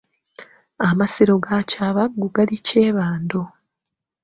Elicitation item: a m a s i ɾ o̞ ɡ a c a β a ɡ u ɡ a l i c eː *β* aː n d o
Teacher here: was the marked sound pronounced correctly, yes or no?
yes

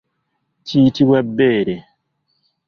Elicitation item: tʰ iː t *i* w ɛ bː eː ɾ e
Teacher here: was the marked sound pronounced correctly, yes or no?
yes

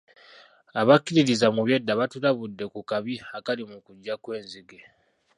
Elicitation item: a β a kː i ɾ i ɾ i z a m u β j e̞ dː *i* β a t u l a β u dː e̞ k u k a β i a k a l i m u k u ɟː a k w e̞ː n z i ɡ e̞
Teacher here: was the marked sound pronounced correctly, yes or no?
no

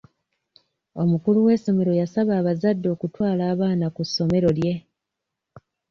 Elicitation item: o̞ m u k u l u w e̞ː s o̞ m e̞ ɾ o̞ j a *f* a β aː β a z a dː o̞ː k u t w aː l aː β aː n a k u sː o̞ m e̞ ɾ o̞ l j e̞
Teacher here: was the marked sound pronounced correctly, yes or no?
no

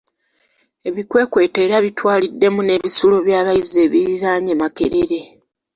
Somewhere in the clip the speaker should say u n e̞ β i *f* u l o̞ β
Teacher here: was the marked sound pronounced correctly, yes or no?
no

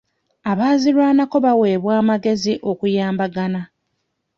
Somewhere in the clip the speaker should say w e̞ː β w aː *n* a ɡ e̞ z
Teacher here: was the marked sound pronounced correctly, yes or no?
no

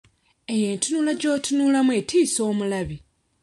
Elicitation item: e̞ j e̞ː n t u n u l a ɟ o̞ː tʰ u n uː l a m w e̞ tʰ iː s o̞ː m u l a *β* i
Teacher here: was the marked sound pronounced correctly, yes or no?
yes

